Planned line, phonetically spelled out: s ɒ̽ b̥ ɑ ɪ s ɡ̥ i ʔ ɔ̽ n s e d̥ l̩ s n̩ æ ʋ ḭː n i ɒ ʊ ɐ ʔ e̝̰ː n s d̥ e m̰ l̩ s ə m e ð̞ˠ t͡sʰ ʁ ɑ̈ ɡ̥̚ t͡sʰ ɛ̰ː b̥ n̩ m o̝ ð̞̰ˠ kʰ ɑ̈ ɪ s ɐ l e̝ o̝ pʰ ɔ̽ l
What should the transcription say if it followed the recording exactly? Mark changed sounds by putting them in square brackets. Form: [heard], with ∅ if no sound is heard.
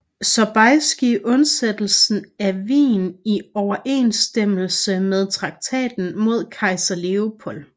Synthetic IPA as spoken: s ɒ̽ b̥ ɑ ɪ s ɡ̥ i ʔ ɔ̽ n s e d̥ l̩ s n̩ æ ʋ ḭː n i ɒ ʊ ɐ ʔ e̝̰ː n s d̥ e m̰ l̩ s ə m e ð̞ˠ t͡sʰ ʁ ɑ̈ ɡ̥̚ t͡sʰ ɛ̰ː [d̥] n̩ m o̝ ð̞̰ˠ kʰ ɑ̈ ɪ s ɐ l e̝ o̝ pʰ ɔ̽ l